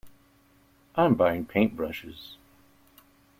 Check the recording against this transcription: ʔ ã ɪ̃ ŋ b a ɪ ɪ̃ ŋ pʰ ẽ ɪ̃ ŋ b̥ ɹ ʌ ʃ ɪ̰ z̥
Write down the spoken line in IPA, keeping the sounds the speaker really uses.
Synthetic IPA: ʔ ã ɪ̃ m b a ɪ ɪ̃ ŋ pʰ ẽ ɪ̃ n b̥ ɹ ʌ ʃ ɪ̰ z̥